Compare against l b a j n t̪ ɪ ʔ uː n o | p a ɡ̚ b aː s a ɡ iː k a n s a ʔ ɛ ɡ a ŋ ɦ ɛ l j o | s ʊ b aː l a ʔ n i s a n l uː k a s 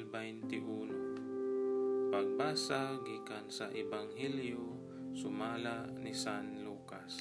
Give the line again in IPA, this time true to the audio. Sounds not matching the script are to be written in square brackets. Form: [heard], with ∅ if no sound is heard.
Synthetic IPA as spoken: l b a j n t̪ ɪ ʔ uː n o | p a ɡ̚ b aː s a ɡ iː k a n s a ʔ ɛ [b] a ŋ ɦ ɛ l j o | s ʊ [m] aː l a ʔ n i s a n l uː k a s